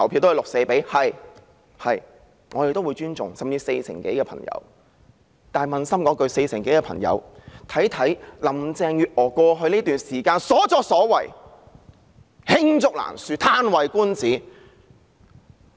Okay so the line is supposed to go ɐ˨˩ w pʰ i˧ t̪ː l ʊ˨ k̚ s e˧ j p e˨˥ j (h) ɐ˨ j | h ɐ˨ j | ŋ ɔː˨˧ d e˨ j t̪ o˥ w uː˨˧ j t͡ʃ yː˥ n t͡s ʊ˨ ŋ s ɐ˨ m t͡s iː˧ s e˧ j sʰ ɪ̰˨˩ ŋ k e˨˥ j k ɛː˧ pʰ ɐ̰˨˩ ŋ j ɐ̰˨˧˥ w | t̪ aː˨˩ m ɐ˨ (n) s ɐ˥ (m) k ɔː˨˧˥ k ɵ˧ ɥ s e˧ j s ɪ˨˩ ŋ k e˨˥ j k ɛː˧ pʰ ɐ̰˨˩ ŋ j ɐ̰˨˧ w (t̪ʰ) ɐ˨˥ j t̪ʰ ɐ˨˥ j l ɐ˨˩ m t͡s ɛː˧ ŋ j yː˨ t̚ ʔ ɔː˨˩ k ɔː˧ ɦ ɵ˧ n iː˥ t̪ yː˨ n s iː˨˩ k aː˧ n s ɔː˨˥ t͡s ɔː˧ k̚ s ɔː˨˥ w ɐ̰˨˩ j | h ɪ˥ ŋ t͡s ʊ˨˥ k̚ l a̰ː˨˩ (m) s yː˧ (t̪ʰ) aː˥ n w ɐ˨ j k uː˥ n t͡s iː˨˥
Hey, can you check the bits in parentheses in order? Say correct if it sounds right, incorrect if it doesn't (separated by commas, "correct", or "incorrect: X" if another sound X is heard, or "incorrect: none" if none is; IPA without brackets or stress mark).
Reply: correct, correct, correct, correct, incorrect: n, correct